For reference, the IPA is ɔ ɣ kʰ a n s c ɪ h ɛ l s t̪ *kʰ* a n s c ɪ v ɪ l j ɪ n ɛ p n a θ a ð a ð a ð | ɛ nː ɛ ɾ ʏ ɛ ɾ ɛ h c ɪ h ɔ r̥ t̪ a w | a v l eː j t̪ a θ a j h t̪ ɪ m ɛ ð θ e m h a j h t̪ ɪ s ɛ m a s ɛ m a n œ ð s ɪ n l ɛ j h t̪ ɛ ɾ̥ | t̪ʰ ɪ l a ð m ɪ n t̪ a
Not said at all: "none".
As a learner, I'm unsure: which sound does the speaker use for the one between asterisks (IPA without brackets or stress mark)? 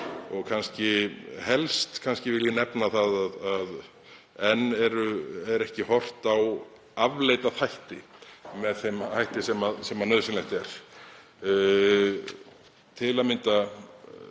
kʰ